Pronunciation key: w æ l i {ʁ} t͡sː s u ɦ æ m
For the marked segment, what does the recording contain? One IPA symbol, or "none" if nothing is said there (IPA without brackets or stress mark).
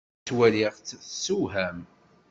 ʁ